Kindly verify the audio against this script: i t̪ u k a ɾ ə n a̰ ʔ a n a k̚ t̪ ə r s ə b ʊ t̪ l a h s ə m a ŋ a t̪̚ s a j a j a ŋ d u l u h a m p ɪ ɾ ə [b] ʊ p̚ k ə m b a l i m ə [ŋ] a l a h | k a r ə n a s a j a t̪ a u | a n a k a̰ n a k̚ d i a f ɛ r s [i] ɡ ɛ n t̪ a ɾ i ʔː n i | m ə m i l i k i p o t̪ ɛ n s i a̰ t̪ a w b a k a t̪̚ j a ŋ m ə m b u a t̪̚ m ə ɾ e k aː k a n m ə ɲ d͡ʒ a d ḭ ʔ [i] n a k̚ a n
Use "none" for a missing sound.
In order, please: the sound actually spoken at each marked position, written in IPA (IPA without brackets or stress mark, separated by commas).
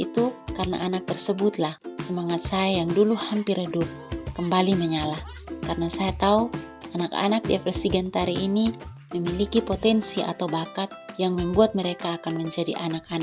d, ɲ, i, a